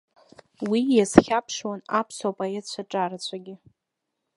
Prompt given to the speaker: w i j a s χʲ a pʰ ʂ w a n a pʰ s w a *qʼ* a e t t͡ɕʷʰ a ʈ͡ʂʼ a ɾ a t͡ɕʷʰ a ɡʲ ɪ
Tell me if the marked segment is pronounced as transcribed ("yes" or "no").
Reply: no